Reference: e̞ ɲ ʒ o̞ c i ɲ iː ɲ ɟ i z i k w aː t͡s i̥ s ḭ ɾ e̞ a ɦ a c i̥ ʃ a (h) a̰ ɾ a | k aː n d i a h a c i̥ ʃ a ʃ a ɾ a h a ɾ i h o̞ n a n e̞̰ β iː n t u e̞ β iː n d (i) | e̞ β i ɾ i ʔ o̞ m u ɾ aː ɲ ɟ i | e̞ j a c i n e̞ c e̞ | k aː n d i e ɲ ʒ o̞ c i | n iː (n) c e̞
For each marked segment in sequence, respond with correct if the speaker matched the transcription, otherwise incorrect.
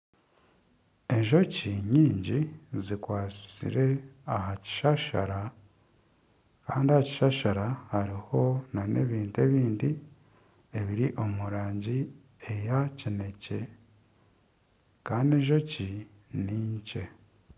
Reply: incorrect: ʃ, correct, incorrect: ɲ

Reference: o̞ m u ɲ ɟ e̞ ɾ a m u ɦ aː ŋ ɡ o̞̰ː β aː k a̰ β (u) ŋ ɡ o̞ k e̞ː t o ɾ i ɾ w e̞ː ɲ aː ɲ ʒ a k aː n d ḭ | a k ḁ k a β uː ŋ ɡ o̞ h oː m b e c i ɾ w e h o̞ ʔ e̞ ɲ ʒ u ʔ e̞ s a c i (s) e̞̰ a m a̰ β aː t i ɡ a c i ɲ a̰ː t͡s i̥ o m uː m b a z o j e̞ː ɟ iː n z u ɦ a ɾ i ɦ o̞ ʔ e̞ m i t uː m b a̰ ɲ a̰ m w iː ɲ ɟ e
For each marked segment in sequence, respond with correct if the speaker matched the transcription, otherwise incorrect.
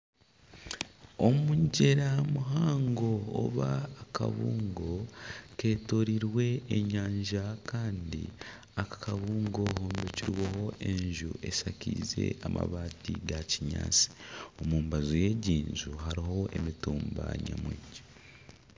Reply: incorrect: uː, incorrect: z

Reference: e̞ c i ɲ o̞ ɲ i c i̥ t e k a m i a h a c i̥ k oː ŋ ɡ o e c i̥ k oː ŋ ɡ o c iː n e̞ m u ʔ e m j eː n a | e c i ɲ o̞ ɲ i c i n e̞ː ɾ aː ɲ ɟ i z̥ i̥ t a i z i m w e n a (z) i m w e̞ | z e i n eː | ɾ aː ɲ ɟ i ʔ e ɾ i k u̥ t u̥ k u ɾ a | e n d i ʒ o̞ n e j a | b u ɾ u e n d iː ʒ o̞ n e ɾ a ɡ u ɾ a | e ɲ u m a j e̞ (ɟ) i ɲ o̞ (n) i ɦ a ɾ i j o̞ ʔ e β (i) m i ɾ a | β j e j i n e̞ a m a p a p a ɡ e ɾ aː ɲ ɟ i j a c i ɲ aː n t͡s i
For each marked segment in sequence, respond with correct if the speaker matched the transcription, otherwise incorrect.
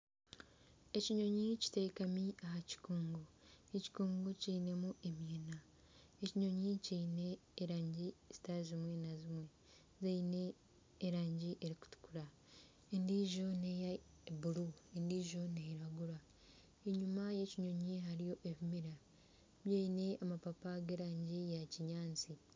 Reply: correct, incorrect: c, incorrect: ɲ, correct

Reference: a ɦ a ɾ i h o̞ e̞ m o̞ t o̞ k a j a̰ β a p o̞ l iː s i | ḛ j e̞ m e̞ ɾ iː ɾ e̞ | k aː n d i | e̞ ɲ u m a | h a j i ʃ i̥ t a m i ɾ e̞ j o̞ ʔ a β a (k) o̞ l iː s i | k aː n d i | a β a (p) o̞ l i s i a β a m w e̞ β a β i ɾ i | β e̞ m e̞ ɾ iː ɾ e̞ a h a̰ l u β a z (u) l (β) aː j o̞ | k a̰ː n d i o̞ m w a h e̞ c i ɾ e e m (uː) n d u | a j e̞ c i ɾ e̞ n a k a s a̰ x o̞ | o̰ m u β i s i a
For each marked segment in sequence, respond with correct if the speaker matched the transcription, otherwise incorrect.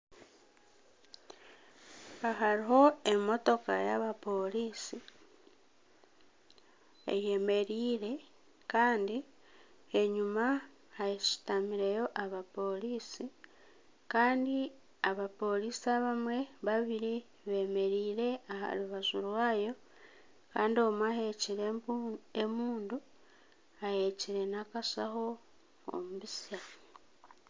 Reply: incorrect: p, correct, correct, incorrect: w, correct

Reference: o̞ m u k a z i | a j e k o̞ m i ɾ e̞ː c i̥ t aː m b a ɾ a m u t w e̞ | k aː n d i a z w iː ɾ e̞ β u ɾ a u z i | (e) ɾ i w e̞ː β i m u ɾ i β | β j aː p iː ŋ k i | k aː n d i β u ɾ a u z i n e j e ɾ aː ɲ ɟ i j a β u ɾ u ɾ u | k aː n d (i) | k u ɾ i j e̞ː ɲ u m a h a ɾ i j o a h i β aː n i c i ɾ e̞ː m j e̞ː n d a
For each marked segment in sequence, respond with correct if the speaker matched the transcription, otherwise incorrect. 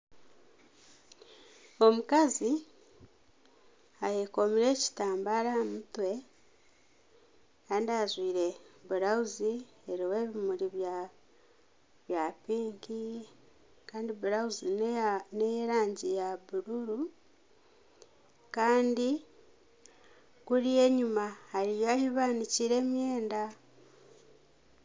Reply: correct, correct

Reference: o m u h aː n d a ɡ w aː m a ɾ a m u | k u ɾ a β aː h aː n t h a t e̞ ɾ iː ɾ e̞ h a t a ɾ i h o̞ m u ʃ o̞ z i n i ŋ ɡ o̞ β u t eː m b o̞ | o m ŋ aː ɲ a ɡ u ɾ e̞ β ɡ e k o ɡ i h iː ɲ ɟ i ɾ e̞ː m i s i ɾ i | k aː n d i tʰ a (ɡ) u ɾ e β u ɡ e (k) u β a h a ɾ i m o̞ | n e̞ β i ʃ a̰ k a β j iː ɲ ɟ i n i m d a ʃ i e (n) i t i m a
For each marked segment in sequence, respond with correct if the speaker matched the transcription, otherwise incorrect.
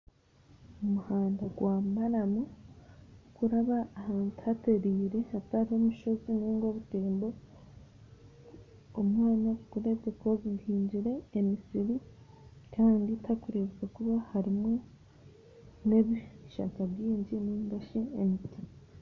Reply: incorrect: k, correct, incorrect: m

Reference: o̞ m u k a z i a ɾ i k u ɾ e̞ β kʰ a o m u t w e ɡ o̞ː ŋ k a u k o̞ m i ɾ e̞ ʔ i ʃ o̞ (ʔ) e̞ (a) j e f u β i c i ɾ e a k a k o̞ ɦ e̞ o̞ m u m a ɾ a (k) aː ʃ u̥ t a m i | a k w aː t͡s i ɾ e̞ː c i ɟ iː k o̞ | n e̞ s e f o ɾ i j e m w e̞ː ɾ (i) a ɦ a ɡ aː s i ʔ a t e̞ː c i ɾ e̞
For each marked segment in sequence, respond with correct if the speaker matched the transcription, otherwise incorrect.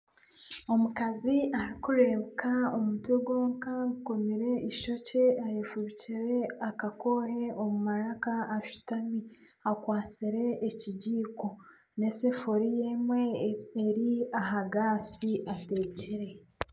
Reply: incorrect: c, correct, correct, correct

